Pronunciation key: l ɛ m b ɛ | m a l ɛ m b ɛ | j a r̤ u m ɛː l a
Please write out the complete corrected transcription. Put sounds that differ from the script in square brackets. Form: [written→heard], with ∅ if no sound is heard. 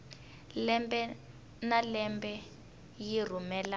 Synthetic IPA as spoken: l ɛ m b ɛ | [m→n] a l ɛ m b ɛ | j [a→i] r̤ u m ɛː l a